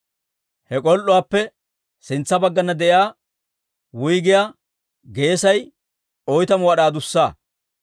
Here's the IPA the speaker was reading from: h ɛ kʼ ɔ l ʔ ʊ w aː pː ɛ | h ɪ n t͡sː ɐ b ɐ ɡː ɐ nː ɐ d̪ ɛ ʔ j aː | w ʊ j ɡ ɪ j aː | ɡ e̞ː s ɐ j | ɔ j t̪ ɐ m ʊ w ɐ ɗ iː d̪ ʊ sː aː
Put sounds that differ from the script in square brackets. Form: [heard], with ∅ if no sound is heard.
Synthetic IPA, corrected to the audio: h ɛ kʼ ɔ l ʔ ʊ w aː pː ɛ | [s] ɪ n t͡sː ɐ b ɐ ɡː ɐ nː ɐ d̪ ɛ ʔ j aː | w ʊ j ɡ ɪ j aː | ɡ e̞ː s ɐ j | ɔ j t̪ ɐ m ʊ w ɐ ɗ [aː] d̪ ʊ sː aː